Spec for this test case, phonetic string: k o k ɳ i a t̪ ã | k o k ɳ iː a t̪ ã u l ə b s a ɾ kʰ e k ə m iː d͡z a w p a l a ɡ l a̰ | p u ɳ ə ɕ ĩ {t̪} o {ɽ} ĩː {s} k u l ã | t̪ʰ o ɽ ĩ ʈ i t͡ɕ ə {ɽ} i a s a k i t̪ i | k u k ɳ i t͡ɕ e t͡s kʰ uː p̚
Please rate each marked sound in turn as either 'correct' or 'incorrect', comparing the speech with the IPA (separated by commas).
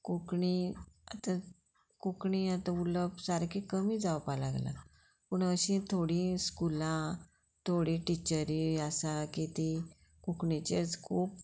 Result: incorrect, correct, correct, incorrect